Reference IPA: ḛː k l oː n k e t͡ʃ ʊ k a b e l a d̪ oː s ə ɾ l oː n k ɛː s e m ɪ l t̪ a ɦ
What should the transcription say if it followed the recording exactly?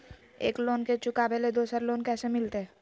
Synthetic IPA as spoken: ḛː k l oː n k e t͡ʃ ʊ k a b e l e d̪ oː s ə ɾ l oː n k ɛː s e m ɪ l t̪ e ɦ